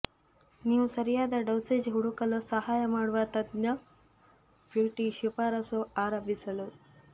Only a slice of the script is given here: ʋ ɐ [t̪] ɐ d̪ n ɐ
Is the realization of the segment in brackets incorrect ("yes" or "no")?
no